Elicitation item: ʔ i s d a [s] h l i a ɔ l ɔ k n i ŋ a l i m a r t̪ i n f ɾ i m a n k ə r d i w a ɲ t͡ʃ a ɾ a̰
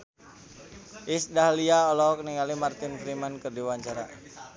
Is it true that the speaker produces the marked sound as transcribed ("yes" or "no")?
no